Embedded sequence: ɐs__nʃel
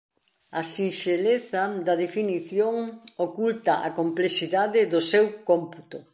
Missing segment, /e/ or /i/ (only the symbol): i